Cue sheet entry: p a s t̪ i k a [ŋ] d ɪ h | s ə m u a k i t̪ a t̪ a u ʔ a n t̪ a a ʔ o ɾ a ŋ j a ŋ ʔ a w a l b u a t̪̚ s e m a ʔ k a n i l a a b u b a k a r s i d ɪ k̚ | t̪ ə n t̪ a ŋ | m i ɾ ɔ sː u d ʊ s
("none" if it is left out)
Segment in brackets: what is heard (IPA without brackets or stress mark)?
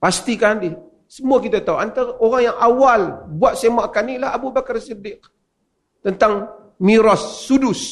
n